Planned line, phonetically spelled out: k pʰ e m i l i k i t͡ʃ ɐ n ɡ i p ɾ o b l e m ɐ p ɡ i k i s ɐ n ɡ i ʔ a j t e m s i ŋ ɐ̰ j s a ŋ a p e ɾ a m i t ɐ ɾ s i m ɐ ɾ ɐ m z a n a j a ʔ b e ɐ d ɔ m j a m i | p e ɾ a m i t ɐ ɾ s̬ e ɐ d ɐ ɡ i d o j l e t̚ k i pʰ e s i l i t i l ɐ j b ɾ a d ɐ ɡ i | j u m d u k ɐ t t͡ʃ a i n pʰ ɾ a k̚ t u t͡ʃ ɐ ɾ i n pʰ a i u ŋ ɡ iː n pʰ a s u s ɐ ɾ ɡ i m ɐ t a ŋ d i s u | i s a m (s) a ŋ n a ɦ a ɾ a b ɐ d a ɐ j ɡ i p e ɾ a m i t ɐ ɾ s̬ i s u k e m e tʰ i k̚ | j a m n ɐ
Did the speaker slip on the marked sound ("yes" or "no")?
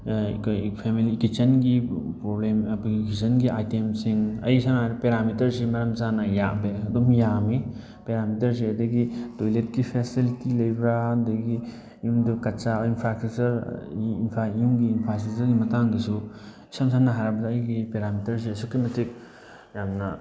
no